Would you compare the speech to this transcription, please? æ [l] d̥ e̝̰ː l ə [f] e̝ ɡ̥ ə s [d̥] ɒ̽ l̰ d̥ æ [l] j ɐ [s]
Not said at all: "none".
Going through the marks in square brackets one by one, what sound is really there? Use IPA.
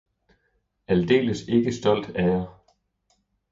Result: l, s, d̥, none, none

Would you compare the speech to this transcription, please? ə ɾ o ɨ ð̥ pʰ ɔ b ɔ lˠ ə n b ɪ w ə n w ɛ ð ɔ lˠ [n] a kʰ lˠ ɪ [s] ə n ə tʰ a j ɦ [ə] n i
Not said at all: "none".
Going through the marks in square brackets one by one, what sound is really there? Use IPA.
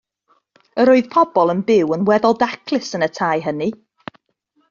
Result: d, s, ə

